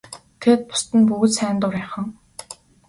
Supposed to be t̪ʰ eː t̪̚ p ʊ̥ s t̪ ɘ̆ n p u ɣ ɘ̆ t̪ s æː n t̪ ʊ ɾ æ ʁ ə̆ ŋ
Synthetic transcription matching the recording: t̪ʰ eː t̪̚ p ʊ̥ s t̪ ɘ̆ n p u ɣ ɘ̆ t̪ s æː n t̪ ʊ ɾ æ χ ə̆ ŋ